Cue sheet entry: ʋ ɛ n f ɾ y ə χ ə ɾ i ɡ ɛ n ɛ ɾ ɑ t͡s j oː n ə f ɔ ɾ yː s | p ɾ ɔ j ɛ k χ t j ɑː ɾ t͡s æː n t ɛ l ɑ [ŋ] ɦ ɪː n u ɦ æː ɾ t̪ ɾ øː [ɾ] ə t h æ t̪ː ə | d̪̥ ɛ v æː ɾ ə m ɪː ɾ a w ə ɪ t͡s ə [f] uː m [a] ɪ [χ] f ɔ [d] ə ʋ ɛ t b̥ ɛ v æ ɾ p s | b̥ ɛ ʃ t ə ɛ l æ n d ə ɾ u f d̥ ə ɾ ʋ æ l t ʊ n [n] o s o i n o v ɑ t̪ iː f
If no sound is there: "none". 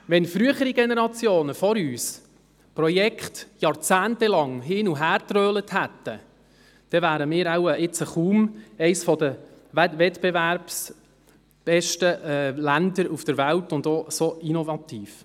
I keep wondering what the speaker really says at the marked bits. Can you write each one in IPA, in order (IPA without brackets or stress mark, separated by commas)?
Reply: ŋ, l, χ, ɛ, s, d, d